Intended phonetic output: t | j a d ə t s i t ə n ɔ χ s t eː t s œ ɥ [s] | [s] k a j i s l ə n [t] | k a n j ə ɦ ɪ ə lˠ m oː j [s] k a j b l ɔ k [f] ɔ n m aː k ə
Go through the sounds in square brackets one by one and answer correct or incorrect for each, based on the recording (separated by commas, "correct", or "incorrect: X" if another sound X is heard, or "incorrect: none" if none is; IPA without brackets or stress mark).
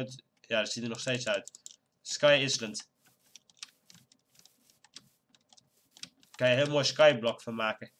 incorrect: t, correct, correct, correct, correct